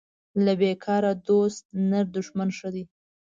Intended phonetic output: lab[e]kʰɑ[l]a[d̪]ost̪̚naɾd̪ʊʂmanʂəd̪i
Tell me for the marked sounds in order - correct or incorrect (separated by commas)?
correct, incorrect, correct